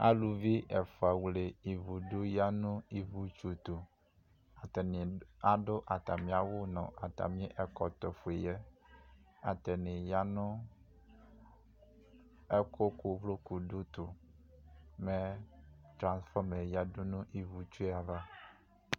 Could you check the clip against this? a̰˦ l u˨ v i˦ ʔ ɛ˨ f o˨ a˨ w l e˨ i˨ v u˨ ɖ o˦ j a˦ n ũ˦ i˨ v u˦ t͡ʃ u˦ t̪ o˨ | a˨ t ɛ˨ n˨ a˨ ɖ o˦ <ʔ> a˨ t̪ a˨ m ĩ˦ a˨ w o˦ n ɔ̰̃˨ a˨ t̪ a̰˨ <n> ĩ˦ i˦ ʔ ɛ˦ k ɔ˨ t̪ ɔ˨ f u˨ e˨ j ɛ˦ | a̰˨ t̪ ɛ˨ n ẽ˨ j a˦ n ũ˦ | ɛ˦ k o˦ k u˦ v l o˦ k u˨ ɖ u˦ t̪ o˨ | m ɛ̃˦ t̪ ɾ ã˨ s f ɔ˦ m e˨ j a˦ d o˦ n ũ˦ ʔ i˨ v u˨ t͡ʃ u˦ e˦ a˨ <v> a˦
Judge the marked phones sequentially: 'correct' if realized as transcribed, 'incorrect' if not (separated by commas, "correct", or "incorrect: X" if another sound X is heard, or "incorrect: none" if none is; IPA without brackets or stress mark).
correct, incorrect: m, correct